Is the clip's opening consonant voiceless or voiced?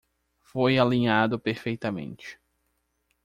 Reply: voiceless